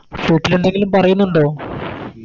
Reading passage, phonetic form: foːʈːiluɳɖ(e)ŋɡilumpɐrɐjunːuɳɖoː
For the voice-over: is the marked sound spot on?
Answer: yes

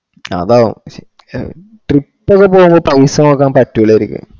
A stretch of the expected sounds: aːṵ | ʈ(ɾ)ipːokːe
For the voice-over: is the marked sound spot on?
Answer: no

